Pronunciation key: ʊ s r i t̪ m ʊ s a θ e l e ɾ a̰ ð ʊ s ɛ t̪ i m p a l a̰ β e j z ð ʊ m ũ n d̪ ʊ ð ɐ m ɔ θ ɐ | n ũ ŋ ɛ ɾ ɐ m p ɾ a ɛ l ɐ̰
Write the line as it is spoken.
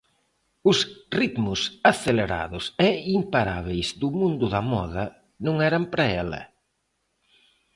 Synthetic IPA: ʊ s r i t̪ m ʊ s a θ e l e ɾ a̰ ð ʊ s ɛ i m p a ɾ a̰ β e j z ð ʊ m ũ n d̪ ʊ ð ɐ m ɔ ð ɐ | n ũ ŋ ɛ ɾ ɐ m p ɾ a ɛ l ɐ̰